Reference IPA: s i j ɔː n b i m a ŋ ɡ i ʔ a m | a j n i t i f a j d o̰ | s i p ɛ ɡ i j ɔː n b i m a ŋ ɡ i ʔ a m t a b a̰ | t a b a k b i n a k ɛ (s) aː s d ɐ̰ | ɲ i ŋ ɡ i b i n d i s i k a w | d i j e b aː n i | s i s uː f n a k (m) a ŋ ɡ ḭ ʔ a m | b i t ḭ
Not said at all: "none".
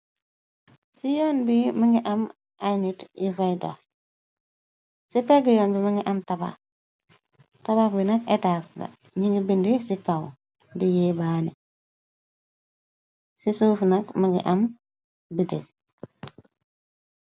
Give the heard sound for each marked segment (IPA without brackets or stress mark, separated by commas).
t, m